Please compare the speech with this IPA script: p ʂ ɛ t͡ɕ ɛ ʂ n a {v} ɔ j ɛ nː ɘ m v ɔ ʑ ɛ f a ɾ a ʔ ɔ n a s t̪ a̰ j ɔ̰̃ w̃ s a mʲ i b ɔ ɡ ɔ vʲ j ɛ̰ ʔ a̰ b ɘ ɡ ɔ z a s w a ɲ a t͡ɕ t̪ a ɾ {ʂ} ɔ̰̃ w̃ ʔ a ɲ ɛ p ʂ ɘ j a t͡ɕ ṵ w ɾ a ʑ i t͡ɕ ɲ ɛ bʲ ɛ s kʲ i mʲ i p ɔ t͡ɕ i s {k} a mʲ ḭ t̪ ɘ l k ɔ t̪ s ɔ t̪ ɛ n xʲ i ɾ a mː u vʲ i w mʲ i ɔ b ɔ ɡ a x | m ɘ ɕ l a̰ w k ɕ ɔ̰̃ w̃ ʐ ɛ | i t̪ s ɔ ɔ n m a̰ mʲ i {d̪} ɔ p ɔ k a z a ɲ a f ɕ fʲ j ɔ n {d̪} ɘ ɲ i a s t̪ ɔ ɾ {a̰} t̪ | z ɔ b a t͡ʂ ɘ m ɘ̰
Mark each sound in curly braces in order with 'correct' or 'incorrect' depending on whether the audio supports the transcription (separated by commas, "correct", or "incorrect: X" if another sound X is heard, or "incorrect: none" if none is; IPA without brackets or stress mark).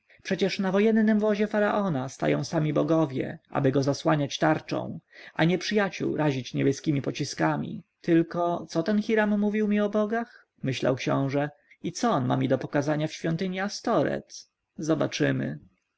correct, incorrect: t͡ʂ, correct, correct, incorrect: t̪, incorrect: ɛ̰